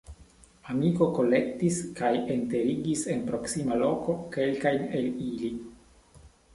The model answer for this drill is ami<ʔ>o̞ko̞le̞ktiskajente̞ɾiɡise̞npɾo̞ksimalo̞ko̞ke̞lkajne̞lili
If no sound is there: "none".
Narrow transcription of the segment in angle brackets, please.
k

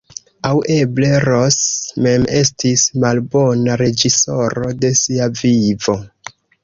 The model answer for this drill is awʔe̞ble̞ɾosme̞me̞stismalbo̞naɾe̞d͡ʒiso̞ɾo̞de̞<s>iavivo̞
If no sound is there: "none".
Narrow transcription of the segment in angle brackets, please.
s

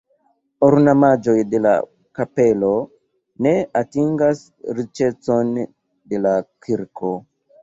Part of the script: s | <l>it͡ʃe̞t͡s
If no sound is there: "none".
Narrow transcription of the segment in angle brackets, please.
ɾ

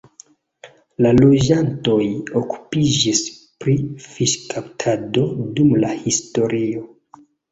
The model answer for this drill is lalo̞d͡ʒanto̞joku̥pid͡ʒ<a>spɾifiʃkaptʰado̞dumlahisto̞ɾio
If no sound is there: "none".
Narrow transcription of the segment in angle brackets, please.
i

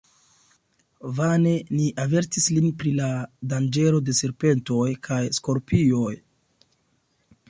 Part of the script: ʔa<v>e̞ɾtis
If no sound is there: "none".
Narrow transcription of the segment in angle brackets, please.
v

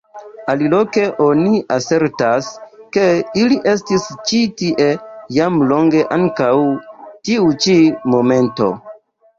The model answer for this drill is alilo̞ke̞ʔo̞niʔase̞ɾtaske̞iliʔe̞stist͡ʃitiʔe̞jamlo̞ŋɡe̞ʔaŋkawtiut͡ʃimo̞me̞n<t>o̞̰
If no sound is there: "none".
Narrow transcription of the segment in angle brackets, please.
t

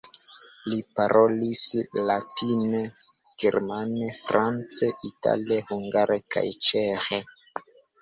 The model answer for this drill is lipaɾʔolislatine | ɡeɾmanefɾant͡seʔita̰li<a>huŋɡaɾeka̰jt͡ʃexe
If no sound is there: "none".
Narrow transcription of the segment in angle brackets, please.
e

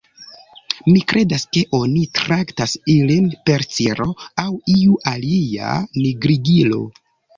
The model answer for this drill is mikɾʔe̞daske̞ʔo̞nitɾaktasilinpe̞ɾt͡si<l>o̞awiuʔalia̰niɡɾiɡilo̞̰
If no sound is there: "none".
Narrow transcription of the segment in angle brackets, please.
ɾ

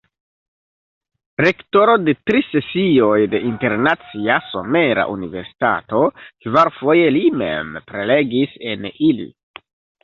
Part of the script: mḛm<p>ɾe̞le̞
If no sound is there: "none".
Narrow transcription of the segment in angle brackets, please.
p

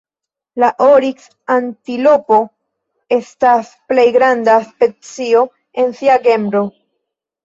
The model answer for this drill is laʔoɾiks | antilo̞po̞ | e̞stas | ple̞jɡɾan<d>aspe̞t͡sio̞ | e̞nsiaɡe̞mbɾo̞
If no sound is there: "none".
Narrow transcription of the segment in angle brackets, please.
d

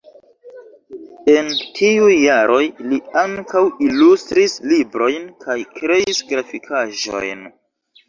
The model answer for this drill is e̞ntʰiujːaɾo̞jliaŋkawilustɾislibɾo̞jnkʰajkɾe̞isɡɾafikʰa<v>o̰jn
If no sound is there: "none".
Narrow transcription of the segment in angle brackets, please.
ʒ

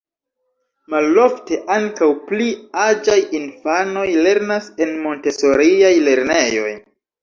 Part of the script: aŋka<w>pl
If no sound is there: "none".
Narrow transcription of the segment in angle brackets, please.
w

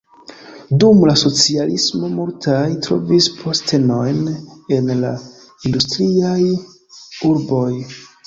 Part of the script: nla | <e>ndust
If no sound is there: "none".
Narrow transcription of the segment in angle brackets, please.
i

